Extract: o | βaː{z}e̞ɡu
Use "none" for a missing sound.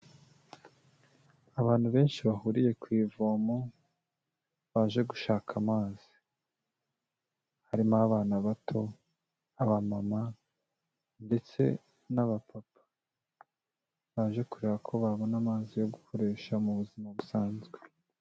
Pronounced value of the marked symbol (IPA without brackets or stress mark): ʒ